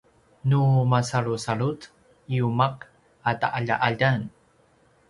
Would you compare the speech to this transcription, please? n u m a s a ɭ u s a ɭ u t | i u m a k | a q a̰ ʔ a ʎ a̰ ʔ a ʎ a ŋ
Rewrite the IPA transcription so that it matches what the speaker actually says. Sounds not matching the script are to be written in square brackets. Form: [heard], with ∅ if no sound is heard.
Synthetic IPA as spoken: n u m a s a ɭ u s a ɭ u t | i u m a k | a [t] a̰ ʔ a ʎ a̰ ʔ a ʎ a [n]